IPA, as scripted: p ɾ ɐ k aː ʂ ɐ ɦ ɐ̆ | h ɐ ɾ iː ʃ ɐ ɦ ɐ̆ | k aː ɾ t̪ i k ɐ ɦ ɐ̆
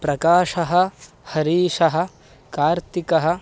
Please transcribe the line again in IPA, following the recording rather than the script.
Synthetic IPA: p ɾ ɐ k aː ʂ ɐ ɦ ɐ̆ | h ɐ ɾ iː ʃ ɐ ɦ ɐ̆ | k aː ɾ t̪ i k ɐ ɦ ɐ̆